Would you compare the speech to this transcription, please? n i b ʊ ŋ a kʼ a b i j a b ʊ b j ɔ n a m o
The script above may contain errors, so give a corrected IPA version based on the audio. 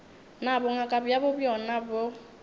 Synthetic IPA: n a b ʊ ŋ a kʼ a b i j a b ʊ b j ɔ n a b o